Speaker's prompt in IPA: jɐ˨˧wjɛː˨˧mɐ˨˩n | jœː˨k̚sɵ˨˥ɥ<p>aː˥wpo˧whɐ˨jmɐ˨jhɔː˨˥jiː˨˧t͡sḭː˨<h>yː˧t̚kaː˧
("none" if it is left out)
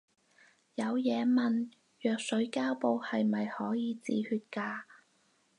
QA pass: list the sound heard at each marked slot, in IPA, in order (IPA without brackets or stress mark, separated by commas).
k, h